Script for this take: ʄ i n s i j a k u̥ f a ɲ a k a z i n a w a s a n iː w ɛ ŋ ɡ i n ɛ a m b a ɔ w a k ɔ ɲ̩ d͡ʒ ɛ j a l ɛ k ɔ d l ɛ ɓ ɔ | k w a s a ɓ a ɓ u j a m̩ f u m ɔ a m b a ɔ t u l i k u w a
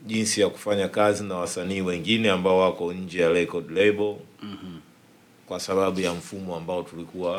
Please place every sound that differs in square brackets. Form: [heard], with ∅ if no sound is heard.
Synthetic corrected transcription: ʄ i n s i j a k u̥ f a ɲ a k a z i n a w a s a n iː w ɛ ŋ ɡ i n ɛ a m b a ɔ w a k ɔ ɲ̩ d͡ʒ ɛ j a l ɛ k ɔ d l ɛ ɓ ɔ | k w a s a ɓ a ɓ u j a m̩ f u m ɔ a m b a ɔ t u l i k u w a